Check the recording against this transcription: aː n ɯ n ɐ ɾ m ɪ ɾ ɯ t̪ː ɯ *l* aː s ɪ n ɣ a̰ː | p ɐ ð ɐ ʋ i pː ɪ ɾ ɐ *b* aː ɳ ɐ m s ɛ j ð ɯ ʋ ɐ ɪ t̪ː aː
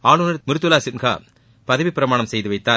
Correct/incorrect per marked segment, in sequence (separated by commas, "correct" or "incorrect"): correct, incorrect